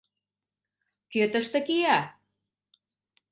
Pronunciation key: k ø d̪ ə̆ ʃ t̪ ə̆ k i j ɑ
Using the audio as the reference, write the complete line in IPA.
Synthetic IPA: k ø t̪ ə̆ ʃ t̪ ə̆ k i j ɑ